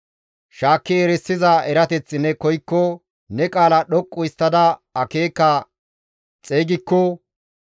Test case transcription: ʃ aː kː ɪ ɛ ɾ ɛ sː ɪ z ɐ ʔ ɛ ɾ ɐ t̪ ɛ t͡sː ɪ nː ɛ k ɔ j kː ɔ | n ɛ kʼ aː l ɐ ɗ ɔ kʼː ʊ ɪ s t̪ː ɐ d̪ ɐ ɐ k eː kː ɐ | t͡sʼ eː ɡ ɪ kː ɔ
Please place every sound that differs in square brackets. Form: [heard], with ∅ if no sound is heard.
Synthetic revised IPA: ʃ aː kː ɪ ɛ ɾ ɛ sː ɪ z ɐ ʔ ɛ ɾ ɐ t̪ ɛ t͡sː ɪ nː ɛ k ɔ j kː ɔ | n ɛ kʼ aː l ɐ ɗ ɔ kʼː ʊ ɪ s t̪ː ɐ d̪ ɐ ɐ k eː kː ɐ | t͡sʼ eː ɡ ɪ kː ɔ